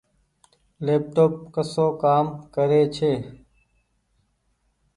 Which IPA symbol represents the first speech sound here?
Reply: l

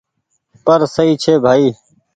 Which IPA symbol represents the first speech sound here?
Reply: p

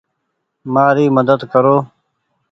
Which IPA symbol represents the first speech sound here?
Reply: m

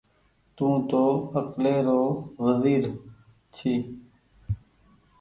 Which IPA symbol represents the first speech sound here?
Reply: t̪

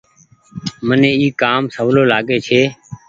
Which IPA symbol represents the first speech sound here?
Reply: m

